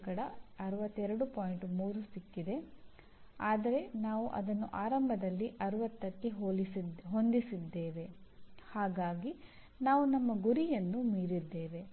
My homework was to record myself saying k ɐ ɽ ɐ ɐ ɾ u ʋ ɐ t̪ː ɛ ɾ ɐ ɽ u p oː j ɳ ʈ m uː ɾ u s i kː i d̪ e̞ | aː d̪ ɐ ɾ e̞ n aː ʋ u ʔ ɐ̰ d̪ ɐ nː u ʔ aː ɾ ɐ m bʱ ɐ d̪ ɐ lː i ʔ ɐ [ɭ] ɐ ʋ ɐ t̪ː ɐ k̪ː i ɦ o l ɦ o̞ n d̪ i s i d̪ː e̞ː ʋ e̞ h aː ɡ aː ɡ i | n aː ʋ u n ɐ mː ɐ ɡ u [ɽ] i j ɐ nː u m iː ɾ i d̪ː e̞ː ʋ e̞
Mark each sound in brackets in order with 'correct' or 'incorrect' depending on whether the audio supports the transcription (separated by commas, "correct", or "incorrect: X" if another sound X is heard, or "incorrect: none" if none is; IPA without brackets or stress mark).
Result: incorrect: ɾ, incorrect: ɾ